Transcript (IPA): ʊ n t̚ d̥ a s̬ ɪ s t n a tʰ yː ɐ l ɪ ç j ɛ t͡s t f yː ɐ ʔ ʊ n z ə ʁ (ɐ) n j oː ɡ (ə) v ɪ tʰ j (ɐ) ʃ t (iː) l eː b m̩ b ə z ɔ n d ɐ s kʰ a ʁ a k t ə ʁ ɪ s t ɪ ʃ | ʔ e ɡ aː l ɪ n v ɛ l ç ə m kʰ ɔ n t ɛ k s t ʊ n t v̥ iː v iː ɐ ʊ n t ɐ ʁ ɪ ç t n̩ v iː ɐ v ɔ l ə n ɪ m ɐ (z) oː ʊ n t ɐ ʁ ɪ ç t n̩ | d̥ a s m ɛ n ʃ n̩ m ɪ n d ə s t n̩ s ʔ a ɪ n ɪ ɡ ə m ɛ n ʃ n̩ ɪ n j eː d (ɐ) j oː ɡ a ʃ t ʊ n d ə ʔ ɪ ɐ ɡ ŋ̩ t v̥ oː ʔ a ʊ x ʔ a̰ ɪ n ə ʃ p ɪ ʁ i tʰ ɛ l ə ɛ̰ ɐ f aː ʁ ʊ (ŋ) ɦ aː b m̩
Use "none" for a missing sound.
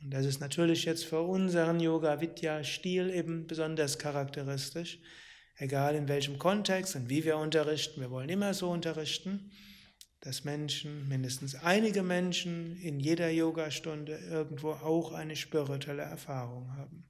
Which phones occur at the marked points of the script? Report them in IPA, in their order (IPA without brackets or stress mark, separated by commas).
ə, a, a, iː, z, ɐ, ŋ